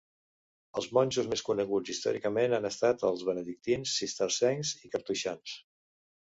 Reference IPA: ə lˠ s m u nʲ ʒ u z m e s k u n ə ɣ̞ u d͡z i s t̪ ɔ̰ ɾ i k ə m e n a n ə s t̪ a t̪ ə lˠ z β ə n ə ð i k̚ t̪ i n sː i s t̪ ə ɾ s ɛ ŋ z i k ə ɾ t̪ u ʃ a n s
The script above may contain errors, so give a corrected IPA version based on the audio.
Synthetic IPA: ə lˠ z m ɔ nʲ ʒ u z m e s k u n ə ɣ̞ u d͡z i s t̪ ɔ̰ ɾ i k ə m e n a n ə s t̪ a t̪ ə lˠ z β ə n ə ð i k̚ t̪ i n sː i s t̪ ə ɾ s ɛ ŋ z i k ə ɾ t̪ u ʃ a n s

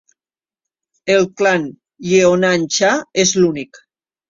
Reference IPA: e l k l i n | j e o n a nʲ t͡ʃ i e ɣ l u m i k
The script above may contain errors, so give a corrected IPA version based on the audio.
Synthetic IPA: e l k l a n | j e o n a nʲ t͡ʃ a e z l u n i k

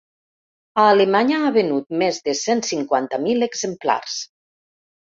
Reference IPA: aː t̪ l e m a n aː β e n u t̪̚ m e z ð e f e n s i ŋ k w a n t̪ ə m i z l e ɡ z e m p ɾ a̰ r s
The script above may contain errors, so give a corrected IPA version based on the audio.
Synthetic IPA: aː l e m a ɲ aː β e n u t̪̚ m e z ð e s e n s i ŋ k w a n t̪ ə m i l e ɡ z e m p l a̰ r s

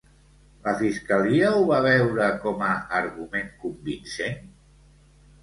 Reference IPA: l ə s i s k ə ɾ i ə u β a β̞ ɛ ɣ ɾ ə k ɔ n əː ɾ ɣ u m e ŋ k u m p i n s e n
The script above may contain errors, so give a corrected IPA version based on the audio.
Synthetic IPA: l ə f i s k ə l i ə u β a β̞ ɛ w ɾ ə k ɔ m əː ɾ ɣ u m e ŋ k u m b i n s e n

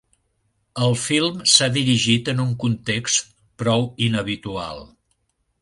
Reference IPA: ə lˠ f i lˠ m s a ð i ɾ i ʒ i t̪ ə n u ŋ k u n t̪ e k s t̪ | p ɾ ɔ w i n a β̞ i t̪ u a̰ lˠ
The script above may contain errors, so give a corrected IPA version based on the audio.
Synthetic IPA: ə lˠ f i lˠ m s a ð i ɾ i ʒ i t̪ ə n u ŋ k u n t̪ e k s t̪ | p ɾ ɔ w i n ə β̞ i t̪ u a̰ lˠ

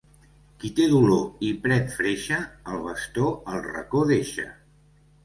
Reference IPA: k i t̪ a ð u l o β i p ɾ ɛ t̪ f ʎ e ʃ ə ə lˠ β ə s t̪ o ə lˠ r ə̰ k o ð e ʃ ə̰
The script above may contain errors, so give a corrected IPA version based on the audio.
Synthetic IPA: k i t̪ e ð u l o i p ɾ ɛ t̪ f ɾ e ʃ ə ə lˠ β ə s t̪ o ə lˠ r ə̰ k o ð e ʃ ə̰

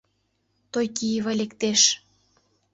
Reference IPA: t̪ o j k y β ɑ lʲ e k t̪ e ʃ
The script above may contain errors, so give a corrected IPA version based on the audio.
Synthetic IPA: t̪ o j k i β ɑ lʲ e k t̪ e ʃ

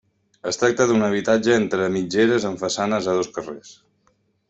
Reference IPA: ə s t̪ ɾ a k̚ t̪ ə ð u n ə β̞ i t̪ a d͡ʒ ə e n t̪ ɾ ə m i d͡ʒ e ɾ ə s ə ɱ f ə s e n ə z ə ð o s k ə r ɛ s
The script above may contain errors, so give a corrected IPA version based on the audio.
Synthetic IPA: ə s t̪ ɾ a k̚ t̪ ə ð u n ə β̞ i t̪ a d͡ʒ ə e n t̪ ɾ ə m i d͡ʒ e ɾ ə z ə ɱ f ə s a n ə z ə ð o s k ə r e s

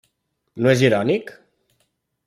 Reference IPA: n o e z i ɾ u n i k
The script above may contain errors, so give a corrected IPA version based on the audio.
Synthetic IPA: n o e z i ɾ ɔ n i k

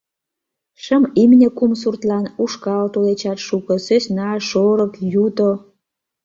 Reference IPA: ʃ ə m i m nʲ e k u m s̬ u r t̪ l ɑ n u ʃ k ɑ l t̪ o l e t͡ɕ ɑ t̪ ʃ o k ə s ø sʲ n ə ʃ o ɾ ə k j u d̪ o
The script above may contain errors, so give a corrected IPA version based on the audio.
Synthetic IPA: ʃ ə m i m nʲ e k u m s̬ u r t̪ l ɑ n u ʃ k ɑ l t̪ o l e t͡ɕ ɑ t̪ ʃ u k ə s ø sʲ n ɑ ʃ o ɾ ə k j u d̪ o

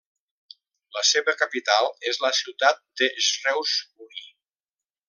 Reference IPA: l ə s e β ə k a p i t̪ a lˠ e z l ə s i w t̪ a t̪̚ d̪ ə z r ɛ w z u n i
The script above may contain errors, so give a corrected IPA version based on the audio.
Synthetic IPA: l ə s e β ə k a p i t̪ a lˠ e z l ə s i w t̪ a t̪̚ d̪ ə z r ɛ w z u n i

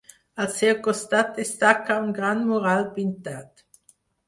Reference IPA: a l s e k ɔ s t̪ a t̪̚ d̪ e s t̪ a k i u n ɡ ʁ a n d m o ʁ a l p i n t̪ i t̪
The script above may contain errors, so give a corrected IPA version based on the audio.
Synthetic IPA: a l s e k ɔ s t̪ a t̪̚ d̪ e s t̪ a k a u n ɡ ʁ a n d m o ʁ a l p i n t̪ a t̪

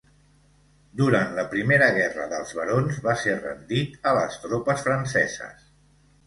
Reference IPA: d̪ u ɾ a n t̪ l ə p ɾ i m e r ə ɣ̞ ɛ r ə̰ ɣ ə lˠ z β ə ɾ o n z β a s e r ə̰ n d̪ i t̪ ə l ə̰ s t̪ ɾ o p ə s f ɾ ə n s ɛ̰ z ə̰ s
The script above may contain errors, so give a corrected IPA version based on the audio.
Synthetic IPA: d̪ u ɾ a n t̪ l ə p ɾ i m e ɾ ə ɣ̞ ɛ r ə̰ ð ə lˠ z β ə ɾ o n z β a s e r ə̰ n d̪ i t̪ ə l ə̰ s t̪ ɾ o p ə s f ɾ ə n s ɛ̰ z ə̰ s

